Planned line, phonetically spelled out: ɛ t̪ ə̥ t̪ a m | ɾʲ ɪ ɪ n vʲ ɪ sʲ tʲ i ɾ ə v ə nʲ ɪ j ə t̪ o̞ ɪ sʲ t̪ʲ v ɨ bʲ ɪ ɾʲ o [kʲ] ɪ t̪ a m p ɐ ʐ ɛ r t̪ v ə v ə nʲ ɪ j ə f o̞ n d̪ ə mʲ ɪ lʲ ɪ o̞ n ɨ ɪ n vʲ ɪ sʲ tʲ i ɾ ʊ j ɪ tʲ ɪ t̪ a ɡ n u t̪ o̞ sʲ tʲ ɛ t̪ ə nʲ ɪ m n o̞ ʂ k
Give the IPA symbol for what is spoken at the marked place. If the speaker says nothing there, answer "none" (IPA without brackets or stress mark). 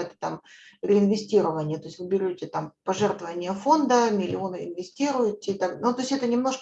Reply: tʲ